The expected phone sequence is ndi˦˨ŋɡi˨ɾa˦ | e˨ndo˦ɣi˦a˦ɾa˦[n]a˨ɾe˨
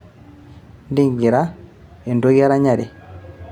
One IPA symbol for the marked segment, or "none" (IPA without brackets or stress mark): ɲ